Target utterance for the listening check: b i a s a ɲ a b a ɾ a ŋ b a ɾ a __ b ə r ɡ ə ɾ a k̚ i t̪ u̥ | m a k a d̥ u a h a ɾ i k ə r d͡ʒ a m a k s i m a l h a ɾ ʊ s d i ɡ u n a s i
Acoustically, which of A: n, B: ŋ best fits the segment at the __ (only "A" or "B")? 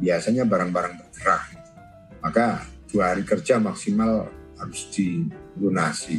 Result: B